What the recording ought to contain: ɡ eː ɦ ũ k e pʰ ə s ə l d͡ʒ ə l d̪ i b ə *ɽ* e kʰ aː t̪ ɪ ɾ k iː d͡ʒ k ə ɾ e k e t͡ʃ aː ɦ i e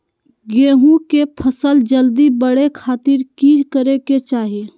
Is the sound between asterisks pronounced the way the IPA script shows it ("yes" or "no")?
yes